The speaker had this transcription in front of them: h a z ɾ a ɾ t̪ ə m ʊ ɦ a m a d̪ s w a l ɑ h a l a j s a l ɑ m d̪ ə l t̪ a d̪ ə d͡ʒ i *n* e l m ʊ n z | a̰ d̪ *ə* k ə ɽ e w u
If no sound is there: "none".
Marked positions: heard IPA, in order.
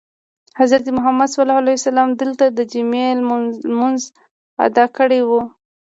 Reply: m, ɑ

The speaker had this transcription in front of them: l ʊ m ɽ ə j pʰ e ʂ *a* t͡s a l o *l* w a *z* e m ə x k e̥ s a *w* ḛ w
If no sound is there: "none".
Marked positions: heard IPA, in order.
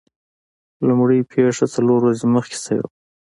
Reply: a, ɾ, z, w

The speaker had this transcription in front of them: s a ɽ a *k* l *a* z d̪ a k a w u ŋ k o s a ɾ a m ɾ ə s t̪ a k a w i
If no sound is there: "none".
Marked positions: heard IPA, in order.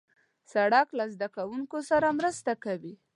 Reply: k, a

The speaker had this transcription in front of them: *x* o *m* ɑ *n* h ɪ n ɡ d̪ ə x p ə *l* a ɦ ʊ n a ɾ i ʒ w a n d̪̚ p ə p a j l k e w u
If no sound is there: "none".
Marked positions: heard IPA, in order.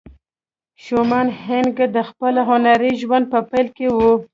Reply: ʃ, m, n, l

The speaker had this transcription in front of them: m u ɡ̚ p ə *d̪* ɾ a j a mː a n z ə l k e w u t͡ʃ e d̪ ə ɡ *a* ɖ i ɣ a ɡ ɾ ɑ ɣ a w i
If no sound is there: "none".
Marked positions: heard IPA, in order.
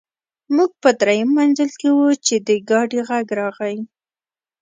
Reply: d̪, ɑ

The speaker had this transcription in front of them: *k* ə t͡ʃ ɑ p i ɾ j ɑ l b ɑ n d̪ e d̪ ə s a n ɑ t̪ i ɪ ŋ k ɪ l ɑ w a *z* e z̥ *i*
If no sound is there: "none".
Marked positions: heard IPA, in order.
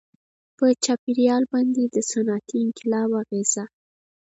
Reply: p, ɣ, a

